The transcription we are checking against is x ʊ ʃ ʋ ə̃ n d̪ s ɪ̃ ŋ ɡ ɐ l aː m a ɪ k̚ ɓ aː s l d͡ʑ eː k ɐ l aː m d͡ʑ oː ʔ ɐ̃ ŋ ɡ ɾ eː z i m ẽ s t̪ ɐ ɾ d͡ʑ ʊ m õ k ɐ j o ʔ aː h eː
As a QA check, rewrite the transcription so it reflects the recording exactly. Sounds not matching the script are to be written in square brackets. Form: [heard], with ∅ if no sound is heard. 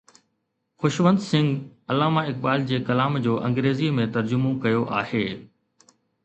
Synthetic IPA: x ʊ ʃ ʋ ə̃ n d̪ s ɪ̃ ŋ ɡ ɐ l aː m a ɪ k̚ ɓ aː [∅] l d͡ʑ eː k ɐ l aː m d͡ʑ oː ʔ ɐ̃ ŋ ɡ ɾ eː z i m ẽ [∅] t̪ ɐ ɾ d͡ʑ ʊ m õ k ɐ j o ʔ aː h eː